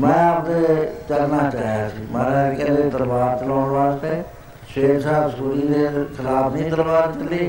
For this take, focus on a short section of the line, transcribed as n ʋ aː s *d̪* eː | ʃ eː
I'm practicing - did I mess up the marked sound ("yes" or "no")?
yes